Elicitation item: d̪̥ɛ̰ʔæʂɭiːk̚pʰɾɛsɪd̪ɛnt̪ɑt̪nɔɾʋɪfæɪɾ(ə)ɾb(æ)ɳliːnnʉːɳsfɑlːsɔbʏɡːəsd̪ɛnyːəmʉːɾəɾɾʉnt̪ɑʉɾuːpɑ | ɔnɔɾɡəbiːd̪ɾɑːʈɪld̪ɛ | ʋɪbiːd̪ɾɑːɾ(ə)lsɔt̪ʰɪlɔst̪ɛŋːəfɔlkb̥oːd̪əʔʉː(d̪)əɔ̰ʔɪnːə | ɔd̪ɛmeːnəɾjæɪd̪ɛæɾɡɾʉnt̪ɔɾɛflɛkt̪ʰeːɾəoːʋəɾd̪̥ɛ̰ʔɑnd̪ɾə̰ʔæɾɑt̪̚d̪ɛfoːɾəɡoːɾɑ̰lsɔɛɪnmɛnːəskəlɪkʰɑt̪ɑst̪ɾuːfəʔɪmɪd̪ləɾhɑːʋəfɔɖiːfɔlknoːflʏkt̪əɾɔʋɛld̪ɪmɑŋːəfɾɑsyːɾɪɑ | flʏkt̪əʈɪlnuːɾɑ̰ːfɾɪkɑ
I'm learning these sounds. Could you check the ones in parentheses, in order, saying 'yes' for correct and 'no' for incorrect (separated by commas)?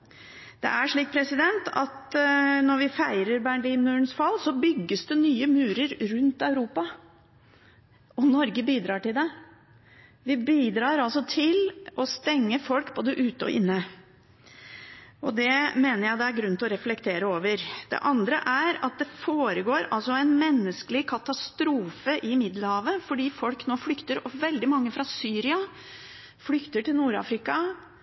yes, yes, no, no